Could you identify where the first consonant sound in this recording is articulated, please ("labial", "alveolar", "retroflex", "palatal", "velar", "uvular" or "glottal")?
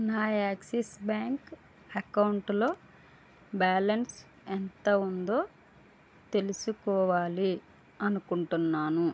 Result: alveolar